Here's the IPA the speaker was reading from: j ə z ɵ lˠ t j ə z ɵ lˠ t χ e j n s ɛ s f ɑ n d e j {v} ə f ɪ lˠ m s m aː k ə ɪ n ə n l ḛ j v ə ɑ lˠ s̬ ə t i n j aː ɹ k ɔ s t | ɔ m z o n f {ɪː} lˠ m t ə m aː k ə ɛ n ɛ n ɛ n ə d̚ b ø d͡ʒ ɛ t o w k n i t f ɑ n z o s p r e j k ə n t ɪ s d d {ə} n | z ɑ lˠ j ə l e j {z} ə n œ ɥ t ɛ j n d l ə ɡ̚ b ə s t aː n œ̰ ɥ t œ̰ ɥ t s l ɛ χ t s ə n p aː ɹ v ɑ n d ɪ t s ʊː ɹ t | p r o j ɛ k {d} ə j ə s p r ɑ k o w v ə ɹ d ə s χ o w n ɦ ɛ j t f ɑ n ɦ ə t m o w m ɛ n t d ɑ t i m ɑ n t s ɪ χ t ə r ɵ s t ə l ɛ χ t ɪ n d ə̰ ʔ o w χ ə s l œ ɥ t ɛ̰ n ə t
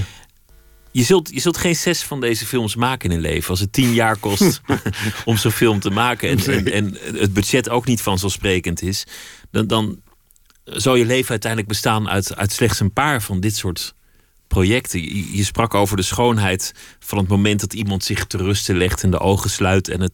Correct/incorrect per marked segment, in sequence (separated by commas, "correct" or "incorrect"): incorrect, incorrect, incorrect, incorrect, incorrect